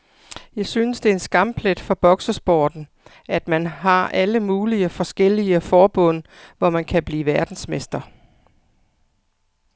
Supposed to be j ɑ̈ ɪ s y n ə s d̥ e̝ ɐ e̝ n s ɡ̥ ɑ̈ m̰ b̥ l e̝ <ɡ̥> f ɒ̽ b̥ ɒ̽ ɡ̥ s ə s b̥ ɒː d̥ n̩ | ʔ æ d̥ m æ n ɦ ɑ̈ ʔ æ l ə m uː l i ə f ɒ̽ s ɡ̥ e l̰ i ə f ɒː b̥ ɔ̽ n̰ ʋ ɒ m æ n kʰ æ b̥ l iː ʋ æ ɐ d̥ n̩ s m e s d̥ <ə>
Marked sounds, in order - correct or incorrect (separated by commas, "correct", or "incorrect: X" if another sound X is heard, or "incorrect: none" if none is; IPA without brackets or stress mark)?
incorrect: d̥, incorrect: ɐ